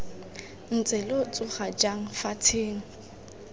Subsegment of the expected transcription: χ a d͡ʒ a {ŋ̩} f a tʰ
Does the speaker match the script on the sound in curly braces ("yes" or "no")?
yes